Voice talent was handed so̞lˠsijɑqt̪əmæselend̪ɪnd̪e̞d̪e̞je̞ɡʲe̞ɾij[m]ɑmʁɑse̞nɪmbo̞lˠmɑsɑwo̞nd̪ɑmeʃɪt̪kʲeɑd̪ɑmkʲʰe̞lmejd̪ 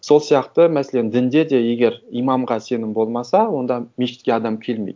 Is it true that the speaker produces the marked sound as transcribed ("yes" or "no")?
yes